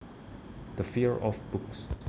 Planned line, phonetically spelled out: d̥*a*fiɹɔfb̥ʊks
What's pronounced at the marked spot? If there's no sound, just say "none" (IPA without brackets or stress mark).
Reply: ə